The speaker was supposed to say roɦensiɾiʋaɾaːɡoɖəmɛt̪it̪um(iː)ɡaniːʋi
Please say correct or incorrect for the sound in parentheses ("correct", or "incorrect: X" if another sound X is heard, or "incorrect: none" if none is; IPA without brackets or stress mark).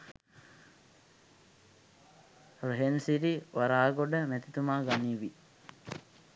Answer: incorrect: aː